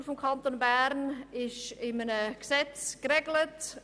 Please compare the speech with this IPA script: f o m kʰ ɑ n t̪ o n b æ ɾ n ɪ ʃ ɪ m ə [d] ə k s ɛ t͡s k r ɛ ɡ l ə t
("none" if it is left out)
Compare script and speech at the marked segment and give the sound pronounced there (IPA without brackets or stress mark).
n